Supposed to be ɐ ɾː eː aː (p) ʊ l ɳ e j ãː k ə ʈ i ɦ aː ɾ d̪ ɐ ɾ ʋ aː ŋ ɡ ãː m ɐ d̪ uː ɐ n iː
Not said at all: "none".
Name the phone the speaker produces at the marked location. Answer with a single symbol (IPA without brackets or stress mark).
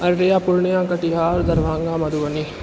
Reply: p